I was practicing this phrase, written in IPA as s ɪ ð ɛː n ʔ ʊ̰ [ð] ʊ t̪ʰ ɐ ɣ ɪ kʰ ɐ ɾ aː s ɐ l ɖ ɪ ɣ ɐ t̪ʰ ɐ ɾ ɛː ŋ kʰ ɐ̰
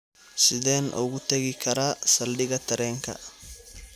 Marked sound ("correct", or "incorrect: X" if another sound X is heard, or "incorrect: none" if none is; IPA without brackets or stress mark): incorrect: ɣ